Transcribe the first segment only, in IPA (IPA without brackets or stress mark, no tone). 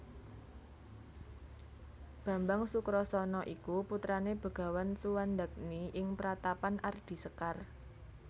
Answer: b̥